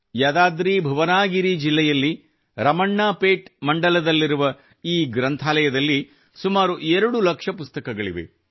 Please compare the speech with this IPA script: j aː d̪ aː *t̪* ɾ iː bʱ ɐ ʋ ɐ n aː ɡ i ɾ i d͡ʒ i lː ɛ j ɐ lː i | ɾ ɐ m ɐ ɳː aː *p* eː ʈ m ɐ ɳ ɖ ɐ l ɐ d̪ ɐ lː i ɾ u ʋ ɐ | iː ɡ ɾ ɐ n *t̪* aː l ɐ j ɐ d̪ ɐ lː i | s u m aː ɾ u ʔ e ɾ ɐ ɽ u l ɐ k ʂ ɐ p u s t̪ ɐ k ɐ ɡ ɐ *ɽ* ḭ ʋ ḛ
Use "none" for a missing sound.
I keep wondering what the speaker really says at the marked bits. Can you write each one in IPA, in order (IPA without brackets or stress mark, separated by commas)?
d̪, p, t̪ʰ, ɭ